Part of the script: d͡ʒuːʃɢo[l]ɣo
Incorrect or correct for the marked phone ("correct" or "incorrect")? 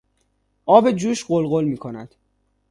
correct